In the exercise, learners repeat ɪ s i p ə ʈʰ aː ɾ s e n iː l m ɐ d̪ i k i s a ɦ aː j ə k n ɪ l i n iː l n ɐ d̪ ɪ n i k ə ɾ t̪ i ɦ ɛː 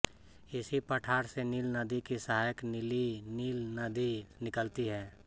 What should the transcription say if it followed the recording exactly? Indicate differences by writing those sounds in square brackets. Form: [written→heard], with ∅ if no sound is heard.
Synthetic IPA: ɪ s i p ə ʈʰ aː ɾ s e n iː l [m→n] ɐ d̪ i k i s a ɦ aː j ə k n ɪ l i n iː l n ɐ d̪ [ɪ→i] n [i→ɪ] k ə [ɾ→l] t̪ i ɦ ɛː